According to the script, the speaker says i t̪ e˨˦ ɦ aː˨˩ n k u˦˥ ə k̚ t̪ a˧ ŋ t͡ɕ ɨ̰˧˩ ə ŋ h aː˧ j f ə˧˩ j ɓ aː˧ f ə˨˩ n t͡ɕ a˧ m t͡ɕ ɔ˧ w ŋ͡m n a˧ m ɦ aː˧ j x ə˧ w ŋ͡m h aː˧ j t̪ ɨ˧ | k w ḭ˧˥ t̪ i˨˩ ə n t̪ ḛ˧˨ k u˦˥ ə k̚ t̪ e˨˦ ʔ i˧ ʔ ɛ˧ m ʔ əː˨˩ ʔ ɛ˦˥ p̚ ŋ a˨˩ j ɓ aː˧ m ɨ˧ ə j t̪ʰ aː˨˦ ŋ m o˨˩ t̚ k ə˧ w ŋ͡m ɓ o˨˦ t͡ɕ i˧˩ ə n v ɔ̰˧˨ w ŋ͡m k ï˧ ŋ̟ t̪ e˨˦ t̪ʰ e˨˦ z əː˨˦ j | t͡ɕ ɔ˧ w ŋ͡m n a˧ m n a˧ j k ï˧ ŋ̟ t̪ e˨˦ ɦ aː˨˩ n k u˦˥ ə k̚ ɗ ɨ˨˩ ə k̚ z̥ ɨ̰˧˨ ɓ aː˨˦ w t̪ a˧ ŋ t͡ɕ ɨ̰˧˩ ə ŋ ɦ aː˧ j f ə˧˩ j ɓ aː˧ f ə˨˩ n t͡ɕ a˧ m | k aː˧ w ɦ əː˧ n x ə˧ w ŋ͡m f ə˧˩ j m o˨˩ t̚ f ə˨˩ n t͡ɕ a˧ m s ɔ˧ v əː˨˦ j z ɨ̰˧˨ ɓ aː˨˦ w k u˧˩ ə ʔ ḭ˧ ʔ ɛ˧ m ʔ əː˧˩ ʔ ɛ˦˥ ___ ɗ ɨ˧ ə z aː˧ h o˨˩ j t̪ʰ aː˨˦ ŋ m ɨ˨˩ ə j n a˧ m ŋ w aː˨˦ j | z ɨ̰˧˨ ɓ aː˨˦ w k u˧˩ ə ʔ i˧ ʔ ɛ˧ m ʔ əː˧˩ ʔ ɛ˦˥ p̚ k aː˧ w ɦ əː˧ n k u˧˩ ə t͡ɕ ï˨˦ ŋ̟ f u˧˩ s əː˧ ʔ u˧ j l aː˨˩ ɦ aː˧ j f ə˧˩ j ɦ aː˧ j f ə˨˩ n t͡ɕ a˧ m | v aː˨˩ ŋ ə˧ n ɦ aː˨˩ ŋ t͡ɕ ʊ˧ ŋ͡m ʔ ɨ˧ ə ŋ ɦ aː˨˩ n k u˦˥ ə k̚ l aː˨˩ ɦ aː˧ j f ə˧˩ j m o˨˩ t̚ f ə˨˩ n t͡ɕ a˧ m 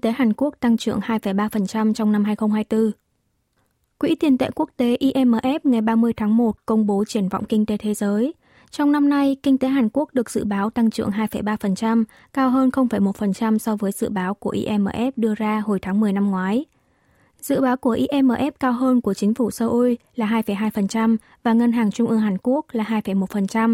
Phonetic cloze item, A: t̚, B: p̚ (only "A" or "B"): B